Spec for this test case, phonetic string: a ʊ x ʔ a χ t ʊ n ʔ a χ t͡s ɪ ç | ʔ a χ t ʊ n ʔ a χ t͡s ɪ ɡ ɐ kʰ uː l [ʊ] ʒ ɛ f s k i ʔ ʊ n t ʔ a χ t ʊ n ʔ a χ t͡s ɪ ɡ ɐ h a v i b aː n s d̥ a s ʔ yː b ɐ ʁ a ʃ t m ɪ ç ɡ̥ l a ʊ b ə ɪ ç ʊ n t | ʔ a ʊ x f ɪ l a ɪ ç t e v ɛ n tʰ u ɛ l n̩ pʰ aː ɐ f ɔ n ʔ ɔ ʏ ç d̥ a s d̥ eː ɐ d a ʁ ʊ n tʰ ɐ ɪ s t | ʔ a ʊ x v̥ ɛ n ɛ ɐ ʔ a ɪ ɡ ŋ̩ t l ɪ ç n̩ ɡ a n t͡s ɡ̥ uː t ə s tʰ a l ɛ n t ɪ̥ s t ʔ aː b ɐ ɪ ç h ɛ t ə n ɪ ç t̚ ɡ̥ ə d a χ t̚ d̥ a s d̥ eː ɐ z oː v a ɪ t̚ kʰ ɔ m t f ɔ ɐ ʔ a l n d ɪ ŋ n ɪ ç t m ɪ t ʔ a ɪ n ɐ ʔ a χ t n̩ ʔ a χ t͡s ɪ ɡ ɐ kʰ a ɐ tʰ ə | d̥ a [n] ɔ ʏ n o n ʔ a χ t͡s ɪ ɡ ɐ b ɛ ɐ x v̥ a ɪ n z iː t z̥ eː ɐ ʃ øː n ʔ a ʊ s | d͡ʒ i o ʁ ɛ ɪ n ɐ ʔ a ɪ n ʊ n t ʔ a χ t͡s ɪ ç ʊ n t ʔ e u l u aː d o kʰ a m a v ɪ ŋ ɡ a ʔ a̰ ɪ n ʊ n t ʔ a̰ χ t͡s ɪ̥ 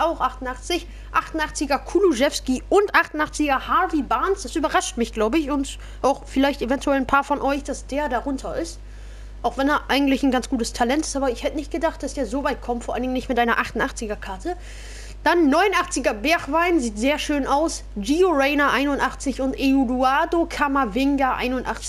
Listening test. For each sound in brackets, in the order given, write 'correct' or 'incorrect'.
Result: incorrect, incorrect

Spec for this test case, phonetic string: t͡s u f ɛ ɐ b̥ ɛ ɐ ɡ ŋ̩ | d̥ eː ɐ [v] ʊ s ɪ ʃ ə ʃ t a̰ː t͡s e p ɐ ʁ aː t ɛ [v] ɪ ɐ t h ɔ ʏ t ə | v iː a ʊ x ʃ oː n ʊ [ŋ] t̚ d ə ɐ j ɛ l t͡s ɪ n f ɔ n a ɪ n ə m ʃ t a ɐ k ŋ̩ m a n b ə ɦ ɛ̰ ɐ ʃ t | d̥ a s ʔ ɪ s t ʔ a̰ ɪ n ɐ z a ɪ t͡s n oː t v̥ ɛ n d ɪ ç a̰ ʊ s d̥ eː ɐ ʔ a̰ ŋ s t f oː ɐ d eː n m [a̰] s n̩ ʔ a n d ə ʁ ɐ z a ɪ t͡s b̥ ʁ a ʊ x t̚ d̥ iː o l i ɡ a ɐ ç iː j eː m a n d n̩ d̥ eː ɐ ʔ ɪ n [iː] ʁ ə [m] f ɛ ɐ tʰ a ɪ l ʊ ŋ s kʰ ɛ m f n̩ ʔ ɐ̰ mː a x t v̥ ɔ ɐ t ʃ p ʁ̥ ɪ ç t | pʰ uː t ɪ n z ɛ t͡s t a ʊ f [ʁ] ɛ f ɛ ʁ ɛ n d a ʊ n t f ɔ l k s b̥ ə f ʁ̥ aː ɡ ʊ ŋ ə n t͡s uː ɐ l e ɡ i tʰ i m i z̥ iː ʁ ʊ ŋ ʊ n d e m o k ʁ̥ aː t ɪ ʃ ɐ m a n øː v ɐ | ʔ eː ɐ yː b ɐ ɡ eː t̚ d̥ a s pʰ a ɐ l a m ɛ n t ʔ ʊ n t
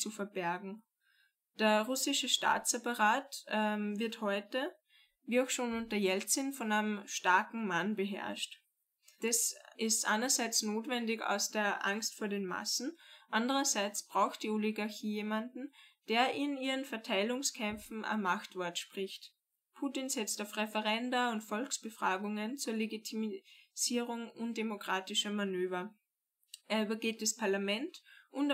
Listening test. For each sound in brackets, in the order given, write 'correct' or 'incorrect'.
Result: incorrect, correct, incorrect, correct, correct, incorrect, correct

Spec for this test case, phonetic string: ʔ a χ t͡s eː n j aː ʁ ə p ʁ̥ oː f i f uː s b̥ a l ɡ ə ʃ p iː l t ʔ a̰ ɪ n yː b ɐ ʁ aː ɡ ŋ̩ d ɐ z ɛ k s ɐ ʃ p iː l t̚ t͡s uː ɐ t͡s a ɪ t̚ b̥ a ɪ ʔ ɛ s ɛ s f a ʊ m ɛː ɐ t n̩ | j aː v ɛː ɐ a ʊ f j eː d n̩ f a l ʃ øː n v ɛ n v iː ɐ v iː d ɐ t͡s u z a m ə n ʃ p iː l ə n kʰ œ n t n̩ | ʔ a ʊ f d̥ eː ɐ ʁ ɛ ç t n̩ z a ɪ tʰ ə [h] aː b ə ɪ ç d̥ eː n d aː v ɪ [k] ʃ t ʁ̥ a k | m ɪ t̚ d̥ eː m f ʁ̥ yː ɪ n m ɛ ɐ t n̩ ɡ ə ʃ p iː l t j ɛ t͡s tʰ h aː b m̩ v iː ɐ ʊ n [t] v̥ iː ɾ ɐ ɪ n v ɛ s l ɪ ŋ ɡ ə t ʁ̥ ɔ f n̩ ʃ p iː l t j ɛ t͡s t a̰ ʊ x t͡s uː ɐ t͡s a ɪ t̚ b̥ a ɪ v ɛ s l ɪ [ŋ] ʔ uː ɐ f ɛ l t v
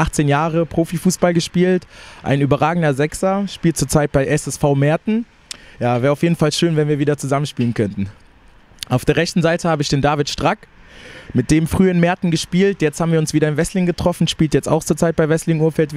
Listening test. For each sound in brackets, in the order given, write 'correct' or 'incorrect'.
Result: correct, incorrect, incorrect, correct

